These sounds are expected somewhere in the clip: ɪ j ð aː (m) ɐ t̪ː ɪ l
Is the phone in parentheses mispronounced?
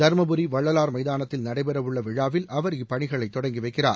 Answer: yes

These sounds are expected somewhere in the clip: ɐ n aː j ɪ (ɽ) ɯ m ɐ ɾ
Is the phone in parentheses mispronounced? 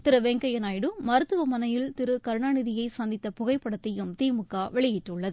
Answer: no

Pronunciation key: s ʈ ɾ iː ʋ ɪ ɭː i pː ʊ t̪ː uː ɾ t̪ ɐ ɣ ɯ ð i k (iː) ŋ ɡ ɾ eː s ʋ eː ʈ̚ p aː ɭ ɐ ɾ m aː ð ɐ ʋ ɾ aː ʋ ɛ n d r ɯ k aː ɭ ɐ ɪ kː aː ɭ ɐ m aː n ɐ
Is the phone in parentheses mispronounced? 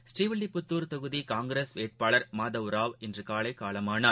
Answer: yes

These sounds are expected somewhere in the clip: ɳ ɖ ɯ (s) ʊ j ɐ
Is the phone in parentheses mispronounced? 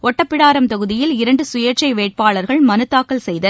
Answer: no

